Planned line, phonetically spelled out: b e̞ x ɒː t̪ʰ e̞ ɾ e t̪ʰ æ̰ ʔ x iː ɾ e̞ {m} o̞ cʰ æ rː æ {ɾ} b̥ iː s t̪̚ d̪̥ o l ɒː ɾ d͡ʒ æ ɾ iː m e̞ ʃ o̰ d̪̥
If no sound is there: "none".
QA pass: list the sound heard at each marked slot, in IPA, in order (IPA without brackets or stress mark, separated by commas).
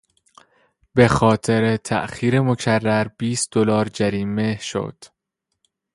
m, ɾ